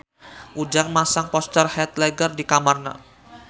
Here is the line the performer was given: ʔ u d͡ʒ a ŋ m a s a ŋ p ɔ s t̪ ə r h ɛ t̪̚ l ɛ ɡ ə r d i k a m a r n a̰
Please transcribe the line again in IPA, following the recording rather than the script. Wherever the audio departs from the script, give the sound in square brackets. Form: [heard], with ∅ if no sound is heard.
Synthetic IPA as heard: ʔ u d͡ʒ a ŋ m a s a ŋ p ɔ s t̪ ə r h ɛ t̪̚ l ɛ ɡ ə r d i k a m a r n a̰